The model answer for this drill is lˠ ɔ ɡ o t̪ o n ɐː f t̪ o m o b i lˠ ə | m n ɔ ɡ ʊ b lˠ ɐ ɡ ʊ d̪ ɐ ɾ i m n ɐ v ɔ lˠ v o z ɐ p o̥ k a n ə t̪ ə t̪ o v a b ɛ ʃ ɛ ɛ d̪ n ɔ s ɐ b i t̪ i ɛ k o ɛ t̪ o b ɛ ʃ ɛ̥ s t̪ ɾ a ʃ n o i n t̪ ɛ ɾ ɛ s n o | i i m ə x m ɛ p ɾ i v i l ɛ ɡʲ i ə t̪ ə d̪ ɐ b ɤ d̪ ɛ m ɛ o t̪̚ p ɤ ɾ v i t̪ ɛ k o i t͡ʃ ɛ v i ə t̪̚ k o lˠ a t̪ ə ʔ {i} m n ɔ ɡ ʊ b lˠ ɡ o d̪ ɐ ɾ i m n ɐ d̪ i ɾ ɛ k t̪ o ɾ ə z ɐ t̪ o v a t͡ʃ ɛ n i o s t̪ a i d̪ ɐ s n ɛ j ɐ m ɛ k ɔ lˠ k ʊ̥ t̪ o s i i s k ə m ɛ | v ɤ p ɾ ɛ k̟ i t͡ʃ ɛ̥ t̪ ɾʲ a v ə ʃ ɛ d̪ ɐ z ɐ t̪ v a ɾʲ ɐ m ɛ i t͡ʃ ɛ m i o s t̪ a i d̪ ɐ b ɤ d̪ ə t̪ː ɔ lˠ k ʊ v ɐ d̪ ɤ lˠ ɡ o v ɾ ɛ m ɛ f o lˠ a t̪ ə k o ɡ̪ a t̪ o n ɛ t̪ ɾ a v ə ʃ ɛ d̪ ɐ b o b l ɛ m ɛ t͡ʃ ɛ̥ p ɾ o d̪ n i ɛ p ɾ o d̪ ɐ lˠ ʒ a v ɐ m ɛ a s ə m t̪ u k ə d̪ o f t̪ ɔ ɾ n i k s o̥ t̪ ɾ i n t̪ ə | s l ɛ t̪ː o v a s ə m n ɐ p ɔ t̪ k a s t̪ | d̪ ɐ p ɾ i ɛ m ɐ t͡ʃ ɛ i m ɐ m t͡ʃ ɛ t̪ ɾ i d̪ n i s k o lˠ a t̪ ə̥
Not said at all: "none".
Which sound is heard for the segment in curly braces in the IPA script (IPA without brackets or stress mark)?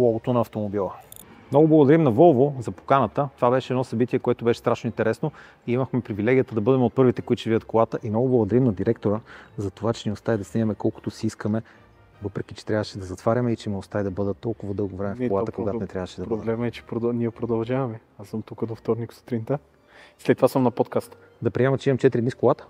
i